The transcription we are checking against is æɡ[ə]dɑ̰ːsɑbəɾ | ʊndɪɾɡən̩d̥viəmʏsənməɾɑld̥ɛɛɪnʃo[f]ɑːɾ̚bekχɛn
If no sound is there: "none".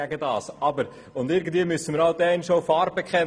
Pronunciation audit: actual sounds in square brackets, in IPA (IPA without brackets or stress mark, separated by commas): ə, f